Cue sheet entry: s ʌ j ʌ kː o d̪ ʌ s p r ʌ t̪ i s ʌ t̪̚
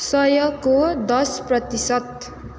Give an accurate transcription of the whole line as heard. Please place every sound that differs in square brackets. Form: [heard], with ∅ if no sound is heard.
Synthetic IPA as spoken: s ʌ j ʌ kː o d̪ ʌ s p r ʌ t̪ i s ʌ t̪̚